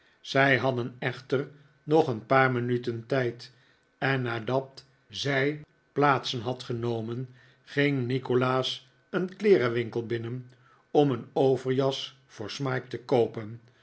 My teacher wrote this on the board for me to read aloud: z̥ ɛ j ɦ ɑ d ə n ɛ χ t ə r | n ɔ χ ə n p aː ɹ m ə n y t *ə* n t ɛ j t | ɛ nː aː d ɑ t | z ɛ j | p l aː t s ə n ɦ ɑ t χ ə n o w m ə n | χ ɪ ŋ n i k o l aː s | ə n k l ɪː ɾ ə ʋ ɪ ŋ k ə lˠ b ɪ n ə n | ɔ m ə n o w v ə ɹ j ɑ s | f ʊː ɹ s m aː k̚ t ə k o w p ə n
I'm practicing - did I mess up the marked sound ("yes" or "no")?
no